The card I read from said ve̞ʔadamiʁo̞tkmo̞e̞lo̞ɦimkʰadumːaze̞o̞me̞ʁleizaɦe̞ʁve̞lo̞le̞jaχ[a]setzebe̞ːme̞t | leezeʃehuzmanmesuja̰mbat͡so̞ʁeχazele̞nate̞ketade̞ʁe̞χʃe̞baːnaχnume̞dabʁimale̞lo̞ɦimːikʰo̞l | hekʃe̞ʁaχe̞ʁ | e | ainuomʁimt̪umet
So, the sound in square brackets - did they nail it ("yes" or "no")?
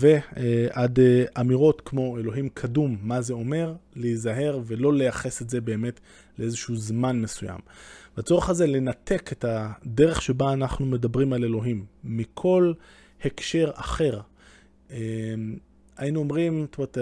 no